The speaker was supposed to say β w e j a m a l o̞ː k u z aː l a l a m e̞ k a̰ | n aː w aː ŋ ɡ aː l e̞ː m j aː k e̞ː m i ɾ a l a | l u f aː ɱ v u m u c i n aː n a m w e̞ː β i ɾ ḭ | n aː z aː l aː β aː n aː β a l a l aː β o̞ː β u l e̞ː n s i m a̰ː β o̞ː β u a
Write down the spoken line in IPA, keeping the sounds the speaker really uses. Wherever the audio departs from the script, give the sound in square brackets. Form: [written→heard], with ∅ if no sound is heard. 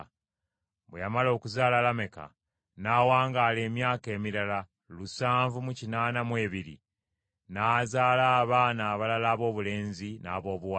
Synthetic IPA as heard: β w e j a m a l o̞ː k u z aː l a l a m e̞ k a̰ | n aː w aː ŋ ɡ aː l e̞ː m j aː k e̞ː m i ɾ a l a | l u [f→s] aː ɱ v u m u c i n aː n a m w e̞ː β i ɾ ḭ | n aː z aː l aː β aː n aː β a l a l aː β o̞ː β u l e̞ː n [s→z] i [m→n] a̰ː β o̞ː β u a

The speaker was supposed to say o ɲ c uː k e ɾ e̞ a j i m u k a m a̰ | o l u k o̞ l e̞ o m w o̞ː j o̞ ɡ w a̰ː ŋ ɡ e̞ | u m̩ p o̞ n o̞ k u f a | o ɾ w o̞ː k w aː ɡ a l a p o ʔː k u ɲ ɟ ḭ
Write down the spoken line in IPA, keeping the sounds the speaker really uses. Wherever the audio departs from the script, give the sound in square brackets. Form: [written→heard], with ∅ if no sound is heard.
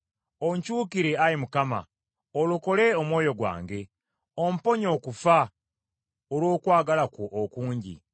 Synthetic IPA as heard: o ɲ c uː k [e→i] ɾ e̞ a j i m u k a m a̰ | o l u k o̞ l e̞ o m w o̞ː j o̞ ɡ w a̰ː ŋ ɡ e̞ | [u→o] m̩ p o̞ [n→ɲ] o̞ k u f a | o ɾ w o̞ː k w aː ɡ a l a [p→k] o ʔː k [u→uː] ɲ ɟ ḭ

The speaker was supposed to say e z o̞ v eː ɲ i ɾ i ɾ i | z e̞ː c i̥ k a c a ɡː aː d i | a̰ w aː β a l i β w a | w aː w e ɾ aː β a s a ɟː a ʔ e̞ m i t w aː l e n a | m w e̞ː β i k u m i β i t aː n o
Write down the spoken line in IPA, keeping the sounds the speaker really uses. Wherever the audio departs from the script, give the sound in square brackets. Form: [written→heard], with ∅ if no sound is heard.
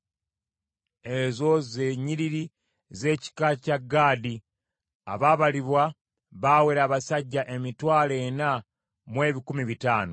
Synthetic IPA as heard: e z o̞ [v→z] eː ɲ i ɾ i ɾ i | z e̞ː c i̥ k a c a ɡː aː d i | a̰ [w→β] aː β a l i β w a | [w→β] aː w e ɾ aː β a s a ɟː a ʔ e̞ m i t w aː l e n a | m w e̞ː β i k u m i β i t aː n o

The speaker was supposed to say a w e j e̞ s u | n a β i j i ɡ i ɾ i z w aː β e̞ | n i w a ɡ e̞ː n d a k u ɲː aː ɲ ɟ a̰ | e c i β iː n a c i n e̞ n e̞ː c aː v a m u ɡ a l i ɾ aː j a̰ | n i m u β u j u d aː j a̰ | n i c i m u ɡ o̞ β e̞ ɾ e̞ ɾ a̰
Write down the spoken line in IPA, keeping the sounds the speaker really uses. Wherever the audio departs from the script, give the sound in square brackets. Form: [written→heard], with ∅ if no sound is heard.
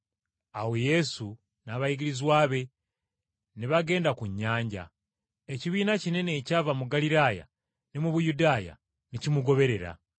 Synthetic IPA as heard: a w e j e̞ s u | n a β [i→a] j i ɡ i ɾ i z w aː β e̞ | n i [w→β] a ɡ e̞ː n d a k u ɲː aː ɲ ɟ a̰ | e c i β iː n a c i n e̞ n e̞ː c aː v a m u ɡ a l i ɾ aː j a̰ | n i m u β u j u d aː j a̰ | n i c i m u ɡ o̞ β e̞ ɾ e̞ ɾ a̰

